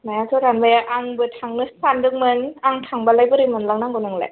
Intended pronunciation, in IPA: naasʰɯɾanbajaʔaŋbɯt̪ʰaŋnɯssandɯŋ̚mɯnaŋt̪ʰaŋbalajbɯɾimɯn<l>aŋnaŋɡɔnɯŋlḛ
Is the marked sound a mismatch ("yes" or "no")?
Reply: no